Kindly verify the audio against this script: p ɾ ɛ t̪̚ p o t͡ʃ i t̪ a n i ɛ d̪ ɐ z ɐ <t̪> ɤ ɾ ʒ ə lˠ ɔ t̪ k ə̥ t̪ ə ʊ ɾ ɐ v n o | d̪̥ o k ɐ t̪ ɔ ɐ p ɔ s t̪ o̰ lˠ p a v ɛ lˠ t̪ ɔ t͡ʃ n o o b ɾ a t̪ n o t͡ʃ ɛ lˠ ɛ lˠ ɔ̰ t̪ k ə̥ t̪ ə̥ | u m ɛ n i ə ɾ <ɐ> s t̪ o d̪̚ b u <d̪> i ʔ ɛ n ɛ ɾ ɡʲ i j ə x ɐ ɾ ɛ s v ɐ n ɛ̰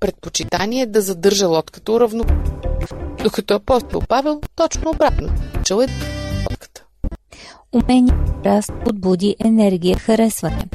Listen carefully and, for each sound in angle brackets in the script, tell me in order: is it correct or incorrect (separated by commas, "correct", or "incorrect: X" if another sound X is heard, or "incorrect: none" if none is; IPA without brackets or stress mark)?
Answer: incorrect: d̪, incorrect: a, correct